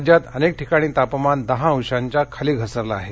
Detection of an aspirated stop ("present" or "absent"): present